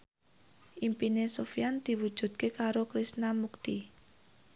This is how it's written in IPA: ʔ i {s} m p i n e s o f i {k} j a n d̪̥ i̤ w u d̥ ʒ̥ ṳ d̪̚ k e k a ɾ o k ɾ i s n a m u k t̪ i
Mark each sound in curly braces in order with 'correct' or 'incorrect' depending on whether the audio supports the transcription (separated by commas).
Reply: incorrect, incorrect